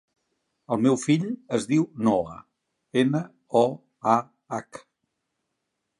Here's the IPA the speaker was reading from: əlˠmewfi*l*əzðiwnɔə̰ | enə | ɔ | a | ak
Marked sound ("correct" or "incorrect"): incorrect